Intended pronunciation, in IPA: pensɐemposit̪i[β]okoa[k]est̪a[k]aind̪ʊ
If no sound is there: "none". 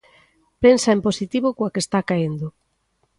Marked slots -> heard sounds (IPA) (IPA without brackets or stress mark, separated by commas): β, k, k